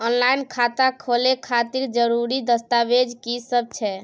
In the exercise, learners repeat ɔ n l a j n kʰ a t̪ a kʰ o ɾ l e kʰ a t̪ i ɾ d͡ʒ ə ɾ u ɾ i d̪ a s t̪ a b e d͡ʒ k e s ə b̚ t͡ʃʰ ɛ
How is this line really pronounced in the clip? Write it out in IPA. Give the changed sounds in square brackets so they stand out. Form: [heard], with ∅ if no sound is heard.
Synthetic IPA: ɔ n l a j n kʰ a t̪ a kʰ o [∅] l e kʰ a t̪ i ɾ d͡ʒ ə ɾ u ɾ i d̪ [ə] s t̪ a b e d͡ʒ k [i] s ə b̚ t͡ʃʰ ɛ